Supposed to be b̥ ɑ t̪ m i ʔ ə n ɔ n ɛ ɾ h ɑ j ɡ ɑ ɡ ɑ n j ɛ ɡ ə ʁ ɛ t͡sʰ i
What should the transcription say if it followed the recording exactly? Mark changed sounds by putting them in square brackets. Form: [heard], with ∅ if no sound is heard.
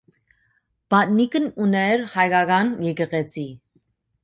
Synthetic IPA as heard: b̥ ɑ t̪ [n] i [k] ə n [u] n ɛ ɾ h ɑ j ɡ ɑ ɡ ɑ n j ɛ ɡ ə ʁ ɛ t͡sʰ i